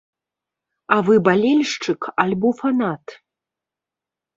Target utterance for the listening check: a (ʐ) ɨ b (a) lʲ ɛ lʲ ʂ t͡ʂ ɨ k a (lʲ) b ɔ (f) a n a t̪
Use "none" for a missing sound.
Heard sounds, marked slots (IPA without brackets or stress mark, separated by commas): v, a, lʲ, f